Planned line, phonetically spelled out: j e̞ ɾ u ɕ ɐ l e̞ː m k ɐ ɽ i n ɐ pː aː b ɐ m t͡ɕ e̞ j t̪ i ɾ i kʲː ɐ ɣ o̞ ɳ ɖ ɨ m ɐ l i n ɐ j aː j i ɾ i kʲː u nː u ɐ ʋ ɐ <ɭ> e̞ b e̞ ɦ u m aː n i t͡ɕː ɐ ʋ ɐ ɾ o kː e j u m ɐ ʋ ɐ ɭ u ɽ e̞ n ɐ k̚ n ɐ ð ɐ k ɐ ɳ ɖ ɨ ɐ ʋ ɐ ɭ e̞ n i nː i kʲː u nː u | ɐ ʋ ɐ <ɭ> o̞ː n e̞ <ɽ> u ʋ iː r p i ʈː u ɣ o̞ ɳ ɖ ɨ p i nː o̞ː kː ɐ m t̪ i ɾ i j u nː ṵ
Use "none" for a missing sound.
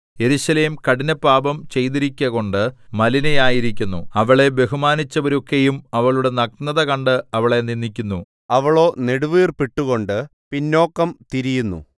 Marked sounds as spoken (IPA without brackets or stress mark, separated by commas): ɭ, ɭ, ɽ